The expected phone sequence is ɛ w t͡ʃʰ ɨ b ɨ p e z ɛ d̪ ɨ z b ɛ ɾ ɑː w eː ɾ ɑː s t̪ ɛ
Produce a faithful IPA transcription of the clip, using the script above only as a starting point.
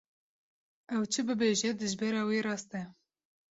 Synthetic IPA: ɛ w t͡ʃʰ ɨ b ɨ b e ʒ ɛ d̪ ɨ ʒ b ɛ ɾ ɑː w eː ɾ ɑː s t̪ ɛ

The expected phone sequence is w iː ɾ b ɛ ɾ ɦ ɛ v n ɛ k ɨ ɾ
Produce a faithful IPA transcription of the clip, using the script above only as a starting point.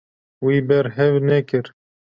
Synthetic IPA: w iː b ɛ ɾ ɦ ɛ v n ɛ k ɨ ɾ

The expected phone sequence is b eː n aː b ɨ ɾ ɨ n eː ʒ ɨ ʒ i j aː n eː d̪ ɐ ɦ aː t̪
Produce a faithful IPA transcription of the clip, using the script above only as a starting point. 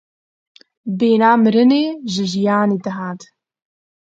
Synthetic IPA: b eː n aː m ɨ ɾ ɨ n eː ʒ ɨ ʒ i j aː n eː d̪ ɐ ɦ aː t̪

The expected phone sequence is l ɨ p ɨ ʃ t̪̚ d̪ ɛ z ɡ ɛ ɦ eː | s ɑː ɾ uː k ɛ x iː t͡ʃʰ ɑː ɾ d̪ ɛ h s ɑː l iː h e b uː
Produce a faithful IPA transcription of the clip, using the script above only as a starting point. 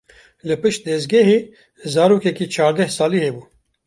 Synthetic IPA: l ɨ p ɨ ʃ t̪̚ d̪ ɛ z ɡ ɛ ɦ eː | z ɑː ɾ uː k ɛ k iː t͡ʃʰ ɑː ɾ d̪ ɛ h s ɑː l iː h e b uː

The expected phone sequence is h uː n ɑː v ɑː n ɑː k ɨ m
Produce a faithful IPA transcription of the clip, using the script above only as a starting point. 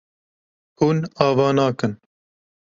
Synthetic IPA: h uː n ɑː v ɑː n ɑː k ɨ n

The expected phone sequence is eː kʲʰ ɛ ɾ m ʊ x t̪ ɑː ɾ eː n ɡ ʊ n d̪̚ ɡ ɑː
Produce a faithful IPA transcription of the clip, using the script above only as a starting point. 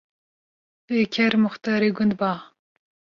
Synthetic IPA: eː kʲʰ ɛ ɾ m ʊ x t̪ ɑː ɾ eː ɡ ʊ n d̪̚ b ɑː

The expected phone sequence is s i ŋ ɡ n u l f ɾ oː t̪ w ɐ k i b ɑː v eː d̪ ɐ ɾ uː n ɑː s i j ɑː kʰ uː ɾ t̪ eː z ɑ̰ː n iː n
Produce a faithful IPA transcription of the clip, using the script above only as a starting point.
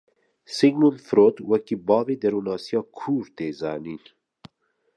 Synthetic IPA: s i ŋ ɡ n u l f ɾ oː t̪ w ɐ k i b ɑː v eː d̪ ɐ ɾ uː n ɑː s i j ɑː kʰ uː ɾ t̪ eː z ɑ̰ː n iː n

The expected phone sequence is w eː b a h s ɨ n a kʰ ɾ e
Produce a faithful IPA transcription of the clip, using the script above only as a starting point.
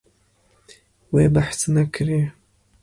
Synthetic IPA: w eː b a ħ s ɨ n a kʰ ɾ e

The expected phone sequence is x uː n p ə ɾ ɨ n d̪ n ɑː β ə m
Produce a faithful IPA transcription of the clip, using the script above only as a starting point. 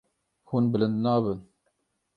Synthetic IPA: h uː n b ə l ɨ n d̪ n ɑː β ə n

